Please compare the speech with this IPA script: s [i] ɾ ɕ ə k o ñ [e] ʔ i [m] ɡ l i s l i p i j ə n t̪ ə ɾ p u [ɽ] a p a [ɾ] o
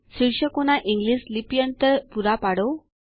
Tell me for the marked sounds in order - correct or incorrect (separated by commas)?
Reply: correct, incorrect, incorrect, incorrect, incorrect